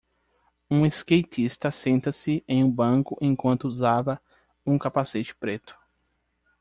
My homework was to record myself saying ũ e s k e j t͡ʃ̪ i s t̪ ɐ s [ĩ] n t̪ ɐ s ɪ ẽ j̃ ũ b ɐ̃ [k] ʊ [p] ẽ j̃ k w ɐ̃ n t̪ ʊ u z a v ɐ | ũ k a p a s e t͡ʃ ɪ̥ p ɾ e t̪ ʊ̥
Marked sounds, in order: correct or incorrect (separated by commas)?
incorrect, correct, incorrect